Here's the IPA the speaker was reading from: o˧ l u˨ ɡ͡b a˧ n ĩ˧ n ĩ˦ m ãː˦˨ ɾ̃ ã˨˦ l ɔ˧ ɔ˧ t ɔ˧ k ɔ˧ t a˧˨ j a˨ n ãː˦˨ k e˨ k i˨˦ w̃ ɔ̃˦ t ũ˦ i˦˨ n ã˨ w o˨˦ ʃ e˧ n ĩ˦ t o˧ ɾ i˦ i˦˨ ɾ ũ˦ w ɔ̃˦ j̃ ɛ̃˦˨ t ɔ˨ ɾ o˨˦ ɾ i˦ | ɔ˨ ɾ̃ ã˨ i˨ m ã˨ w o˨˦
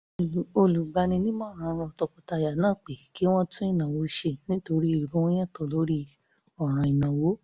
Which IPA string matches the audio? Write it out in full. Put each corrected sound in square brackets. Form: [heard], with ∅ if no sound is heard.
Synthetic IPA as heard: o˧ l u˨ ɡ͡b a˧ n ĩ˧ n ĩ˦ m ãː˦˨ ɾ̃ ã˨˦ [ɾ] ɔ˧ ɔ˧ t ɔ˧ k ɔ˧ t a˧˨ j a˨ n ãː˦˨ [k͡p] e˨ k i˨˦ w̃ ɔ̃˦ t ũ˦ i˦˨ n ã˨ w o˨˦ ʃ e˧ n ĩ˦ t o˧ ɾ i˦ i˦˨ ɾ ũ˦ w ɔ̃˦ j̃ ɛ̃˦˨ t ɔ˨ [l] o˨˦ ɾ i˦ | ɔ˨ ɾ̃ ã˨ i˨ [n] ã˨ w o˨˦